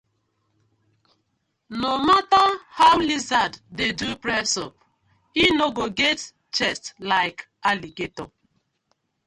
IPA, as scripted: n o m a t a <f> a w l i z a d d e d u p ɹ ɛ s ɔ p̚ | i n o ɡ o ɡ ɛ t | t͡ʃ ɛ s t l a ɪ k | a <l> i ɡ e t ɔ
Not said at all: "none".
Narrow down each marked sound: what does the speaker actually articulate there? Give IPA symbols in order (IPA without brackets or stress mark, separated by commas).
h, l